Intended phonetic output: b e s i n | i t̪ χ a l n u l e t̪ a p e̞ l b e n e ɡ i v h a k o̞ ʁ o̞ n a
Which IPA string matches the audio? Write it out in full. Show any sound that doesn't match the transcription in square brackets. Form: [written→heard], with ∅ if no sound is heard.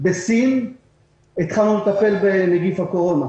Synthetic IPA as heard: b e s i n | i t̪ χ a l n u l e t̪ a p e̞ l b e n e ɡ i [v→f] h a k o̞ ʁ o̞ n a